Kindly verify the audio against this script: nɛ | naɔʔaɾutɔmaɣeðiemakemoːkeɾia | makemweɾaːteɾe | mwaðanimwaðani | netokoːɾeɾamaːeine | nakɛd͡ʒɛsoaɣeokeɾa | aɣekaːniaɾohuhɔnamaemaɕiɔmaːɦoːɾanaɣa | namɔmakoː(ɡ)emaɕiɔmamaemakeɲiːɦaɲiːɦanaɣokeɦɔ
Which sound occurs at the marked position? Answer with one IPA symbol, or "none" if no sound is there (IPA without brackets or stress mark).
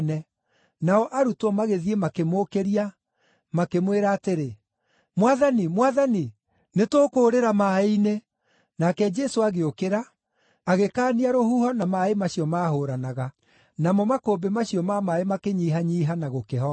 b